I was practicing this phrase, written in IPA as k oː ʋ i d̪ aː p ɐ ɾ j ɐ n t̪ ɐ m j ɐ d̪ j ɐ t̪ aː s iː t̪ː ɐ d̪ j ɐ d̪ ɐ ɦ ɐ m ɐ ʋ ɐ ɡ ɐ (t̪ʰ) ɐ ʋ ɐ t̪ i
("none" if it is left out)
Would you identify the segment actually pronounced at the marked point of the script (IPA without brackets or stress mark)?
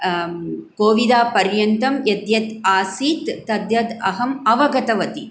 t̪